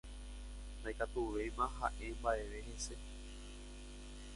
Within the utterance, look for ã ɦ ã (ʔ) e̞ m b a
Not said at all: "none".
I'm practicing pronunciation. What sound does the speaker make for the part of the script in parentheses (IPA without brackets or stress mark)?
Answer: ʔ